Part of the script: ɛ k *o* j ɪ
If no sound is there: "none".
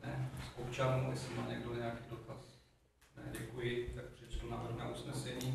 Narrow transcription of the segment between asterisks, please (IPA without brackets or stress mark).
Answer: u